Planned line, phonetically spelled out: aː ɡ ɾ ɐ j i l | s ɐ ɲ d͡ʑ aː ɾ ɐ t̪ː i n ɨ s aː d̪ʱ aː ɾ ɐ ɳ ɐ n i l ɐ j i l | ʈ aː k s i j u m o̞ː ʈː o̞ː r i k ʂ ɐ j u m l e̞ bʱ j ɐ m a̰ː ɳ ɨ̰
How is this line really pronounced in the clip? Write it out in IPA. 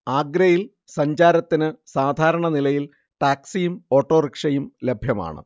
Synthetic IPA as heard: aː ɡ ɾ ɐ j i l | s ɐ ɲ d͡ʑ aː ɾ ɐ t̪ː i n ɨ s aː d̪ʱ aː ɾ ɐ ɳ ɐ n i l ɐ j i l | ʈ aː k s i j u m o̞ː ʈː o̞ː r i k ʂ ɐ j u m l e̞ bʱ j ɐ m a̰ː ɳ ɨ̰